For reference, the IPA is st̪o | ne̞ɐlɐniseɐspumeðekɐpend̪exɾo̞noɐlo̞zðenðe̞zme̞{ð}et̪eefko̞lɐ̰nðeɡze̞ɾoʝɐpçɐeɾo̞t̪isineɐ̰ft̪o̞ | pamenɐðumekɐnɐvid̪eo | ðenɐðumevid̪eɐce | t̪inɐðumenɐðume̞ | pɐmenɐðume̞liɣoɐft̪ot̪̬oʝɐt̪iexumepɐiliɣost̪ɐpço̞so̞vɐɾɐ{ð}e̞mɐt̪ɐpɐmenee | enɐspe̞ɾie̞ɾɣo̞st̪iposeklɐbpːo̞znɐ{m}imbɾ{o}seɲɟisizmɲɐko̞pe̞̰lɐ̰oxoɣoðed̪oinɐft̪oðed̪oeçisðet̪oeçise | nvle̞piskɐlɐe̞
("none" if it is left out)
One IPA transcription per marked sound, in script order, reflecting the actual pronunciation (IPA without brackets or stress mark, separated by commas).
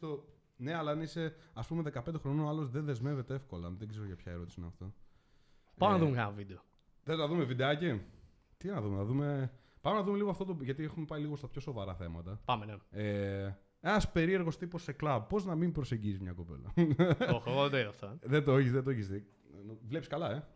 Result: v, θ, m, o